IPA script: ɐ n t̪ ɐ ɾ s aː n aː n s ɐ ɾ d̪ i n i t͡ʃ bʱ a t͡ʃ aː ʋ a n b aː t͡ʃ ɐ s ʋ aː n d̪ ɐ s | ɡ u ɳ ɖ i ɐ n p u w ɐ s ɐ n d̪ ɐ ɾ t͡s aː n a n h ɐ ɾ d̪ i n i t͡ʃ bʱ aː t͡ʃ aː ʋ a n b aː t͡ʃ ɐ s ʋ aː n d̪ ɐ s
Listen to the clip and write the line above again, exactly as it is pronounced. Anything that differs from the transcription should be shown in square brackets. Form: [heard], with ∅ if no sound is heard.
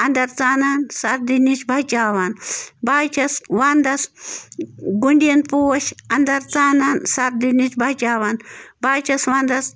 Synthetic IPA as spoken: ɐ n [d̪] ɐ ɾ [t͡s] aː n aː n s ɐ ɾ d̪ i n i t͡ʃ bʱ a t͡ʃ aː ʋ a n b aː t͡ʃ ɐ s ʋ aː n d̪ ɐ s | ɡ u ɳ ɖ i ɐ n p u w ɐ [ʃ] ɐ n d̪ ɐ ɾ t͡s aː n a n [s] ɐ ɾ d̪ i n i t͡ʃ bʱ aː t͡ʃ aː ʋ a n b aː t͡ʃ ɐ s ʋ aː n d̪ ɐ s

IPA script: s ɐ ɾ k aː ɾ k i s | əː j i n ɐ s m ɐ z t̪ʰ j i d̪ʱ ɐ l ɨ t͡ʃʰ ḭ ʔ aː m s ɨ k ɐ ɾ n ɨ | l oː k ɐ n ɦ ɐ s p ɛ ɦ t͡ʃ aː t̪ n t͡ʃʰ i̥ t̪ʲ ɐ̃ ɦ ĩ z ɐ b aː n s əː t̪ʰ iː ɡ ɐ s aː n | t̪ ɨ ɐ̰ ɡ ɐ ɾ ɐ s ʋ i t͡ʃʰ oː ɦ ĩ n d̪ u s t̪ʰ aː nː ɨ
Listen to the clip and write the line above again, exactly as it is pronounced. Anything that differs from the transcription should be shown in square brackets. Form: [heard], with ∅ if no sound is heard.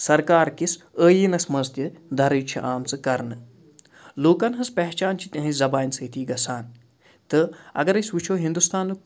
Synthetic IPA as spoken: s ɐ ɾ k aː ɾ k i s | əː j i n ɐ s m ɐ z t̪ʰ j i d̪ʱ ɐ [ɾ] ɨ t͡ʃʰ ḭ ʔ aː m [t͡s] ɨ k ɐ ɾ n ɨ | l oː k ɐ n ɦ ɐ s p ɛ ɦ t͡ʃ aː [∅] n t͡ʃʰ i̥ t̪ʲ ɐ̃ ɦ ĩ z ɐ b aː n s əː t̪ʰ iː ɡ ɐ s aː n | t̪ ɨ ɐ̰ ɡ ɐ ɾ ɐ s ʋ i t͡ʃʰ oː ɦ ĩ n d̪ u s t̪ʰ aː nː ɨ

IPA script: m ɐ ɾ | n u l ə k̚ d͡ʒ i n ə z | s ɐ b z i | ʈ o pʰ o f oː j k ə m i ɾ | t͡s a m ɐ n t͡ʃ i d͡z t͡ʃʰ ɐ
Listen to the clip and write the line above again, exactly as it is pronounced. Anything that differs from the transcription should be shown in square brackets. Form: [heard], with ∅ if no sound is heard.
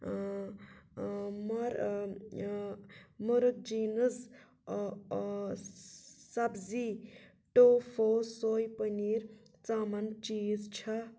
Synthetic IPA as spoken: m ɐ ɾ | [m] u [ɾ] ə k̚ d͡ʒ i n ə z | s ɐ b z i | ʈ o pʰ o [s] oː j [p] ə [n] i ɾ | t͡s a m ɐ n t͡ʃ i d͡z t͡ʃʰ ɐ

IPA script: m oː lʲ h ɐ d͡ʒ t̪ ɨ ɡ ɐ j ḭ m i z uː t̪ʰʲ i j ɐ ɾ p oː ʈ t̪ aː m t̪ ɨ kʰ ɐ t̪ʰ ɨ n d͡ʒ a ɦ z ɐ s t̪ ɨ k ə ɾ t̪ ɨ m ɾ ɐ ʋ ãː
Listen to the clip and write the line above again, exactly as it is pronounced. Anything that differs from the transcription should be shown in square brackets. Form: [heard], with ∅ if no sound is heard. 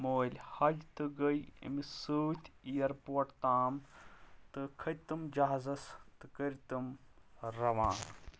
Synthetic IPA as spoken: m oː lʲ h ɐ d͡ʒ t̪ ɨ ɡ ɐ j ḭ m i [s] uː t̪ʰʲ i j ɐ ɾ p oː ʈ t̪ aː m t̪ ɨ kʰ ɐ [t̪] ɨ [m] d͡ʒ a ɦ z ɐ s t̪ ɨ k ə ɾ t̪ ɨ m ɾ ɐ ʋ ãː

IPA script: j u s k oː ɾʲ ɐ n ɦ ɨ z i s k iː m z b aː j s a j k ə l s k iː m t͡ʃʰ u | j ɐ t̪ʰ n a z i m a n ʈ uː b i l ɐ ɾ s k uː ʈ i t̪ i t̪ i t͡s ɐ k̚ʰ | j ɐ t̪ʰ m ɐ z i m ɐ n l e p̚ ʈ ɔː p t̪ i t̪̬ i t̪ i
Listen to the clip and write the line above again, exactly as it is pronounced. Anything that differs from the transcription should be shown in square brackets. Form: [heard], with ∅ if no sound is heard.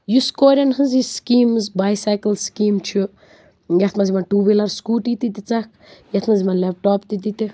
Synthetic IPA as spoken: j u s k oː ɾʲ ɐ n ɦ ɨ z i s k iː m z b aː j s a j k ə l s k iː m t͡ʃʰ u | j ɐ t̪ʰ [m] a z i m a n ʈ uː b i l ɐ ɾ s k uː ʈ i t̪ i t̪ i t͡s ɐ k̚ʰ | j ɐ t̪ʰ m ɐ z i m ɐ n l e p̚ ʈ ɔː p t̪ i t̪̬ i t̪ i

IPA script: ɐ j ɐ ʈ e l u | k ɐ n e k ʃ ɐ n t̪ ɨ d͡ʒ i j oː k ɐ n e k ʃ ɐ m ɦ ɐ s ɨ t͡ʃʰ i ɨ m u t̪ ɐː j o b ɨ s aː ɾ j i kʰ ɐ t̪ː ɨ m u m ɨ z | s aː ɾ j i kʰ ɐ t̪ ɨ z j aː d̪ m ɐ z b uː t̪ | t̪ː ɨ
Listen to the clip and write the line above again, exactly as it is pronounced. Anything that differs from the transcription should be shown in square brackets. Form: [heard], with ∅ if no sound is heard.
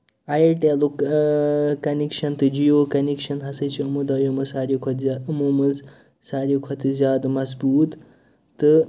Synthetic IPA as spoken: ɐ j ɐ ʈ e l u | k ɐ n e k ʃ ɐ n t̪ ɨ d͡ʒ i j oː k ɐ n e k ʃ ɐ [n] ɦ ɐ s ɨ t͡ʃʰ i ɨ m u [d̪] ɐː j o [m] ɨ s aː ɾ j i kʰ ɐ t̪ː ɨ m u m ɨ z | s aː ɾ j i kʰ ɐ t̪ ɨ z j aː d̪ m ɐ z b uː t̪ | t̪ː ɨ

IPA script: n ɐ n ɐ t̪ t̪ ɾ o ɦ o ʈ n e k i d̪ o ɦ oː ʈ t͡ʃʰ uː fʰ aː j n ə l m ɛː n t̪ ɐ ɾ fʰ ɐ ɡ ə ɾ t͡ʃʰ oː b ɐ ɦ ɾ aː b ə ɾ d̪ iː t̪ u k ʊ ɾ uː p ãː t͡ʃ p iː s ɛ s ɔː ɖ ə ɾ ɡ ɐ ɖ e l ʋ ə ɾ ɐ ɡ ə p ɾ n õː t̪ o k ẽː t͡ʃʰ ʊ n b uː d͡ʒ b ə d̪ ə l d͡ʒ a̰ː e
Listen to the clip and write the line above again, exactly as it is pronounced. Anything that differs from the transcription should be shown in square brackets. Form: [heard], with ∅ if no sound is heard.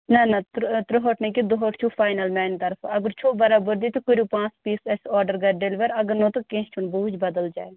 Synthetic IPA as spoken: n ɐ n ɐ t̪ t̪ ɾ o ɦ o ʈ n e k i d̪ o ɦ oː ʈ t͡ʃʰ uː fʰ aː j n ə l m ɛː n t̪ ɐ ɾ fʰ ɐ ɡ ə ɾ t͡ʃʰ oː b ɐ [∅] ɾ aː b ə ɾ d̪ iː t̪ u k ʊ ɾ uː p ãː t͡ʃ p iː s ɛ s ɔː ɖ ə ɾ ɡ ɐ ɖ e l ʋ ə ɾ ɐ ɡ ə [∅] ɾ n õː t̪ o k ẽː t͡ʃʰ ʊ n b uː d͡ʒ b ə d̪ ə l d͡ʒ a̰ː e

